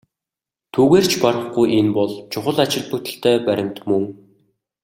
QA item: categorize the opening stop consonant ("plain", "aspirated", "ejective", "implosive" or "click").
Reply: aspirated